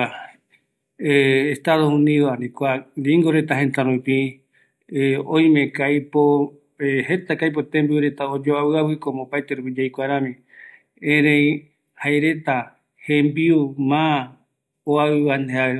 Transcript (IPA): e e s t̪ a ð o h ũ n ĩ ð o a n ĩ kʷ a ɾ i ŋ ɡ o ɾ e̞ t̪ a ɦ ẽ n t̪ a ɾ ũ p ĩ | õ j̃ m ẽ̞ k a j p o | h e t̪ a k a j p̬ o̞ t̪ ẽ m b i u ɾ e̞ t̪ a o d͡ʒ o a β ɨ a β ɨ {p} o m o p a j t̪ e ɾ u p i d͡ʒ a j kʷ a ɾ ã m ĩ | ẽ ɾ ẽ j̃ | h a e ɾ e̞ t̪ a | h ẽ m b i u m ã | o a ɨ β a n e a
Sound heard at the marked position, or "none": k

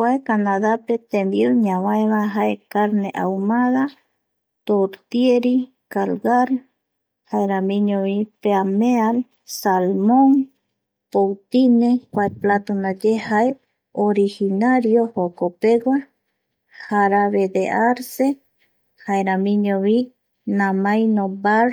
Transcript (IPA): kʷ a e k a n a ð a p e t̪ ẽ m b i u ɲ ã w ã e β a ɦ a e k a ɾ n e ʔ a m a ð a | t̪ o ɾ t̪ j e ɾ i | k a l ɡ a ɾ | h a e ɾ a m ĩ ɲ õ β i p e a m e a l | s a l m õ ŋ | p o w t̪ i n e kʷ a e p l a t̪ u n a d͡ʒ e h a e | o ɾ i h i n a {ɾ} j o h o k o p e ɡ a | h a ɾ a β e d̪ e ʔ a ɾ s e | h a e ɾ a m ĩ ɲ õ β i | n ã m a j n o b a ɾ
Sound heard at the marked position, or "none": ɾ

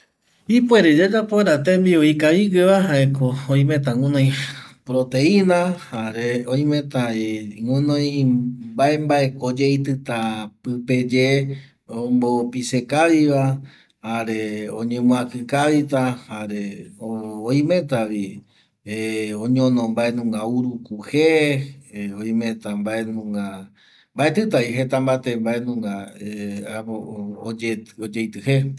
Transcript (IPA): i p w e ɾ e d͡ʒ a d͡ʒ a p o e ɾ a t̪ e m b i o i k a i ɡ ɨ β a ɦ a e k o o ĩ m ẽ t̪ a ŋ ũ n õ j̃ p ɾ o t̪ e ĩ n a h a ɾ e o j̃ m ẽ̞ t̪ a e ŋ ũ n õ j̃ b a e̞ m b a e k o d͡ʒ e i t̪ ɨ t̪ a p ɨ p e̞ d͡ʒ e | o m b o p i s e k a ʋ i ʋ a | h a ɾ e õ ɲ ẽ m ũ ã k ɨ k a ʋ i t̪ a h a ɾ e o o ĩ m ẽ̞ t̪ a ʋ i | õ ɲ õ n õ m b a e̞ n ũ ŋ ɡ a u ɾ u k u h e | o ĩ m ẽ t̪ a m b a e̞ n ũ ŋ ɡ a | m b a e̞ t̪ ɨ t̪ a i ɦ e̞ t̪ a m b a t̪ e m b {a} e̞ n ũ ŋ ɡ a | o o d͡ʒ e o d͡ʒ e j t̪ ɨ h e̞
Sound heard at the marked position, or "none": a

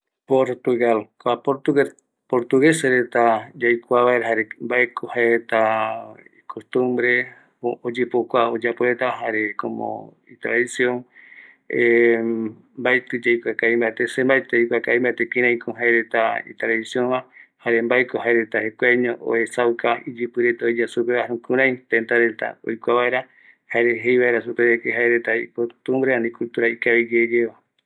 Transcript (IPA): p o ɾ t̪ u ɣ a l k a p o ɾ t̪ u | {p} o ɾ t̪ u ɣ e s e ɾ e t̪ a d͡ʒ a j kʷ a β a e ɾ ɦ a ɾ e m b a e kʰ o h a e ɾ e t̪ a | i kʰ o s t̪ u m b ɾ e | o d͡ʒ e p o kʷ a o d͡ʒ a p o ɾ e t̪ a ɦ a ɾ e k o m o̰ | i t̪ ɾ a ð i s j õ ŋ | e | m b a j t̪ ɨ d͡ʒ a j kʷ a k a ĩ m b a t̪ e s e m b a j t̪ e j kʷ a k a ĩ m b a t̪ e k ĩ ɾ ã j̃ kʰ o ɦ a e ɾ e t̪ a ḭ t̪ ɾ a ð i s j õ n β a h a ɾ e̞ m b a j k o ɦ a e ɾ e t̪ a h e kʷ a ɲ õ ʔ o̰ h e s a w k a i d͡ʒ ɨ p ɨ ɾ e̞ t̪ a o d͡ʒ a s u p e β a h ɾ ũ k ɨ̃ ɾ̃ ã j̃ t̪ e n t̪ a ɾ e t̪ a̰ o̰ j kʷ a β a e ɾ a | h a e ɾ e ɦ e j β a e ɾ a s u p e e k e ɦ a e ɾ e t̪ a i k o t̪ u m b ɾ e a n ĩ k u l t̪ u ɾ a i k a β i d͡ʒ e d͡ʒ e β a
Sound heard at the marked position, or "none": p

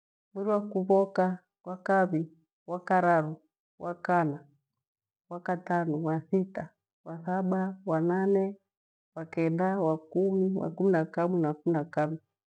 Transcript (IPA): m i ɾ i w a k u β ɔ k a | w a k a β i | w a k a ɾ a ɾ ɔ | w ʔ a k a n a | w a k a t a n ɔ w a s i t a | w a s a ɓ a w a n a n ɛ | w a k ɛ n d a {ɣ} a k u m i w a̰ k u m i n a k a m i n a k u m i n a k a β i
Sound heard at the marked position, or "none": w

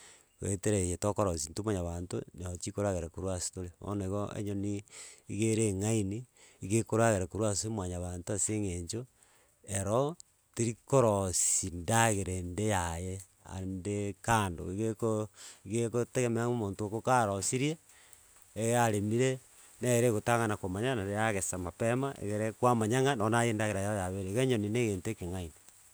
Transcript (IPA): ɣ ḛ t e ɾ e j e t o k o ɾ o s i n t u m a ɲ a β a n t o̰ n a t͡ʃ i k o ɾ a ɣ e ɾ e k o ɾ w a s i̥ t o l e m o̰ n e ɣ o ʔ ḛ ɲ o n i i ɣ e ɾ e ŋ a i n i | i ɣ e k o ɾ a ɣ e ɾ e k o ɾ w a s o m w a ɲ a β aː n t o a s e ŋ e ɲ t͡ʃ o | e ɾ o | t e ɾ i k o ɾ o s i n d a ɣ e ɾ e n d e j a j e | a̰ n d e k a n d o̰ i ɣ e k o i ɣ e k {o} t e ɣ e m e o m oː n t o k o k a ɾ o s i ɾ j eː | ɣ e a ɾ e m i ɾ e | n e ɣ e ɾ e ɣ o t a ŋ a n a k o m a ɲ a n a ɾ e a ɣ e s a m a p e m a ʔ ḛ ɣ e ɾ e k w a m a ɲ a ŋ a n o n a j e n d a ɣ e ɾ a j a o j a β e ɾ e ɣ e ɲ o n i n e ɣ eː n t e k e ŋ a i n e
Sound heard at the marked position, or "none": o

